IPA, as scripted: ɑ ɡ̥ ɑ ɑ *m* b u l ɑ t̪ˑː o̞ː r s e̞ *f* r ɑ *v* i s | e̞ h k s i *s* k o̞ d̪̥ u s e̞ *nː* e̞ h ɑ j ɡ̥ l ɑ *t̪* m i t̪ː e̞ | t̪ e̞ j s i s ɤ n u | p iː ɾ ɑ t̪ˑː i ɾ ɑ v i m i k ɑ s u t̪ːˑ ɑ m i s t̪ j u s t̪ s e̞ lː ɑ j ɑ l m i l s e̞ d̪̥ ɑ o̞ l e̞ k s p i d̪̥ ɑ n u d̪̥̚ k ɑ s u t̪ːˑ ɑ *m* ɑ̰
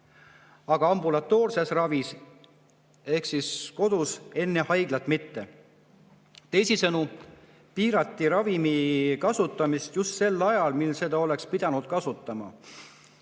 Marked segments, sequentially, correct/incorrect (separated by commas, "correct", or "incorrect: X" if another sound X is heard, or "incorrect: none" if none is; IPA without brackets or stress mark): correct, incorrect: s, correct, correct, correct, correct, correct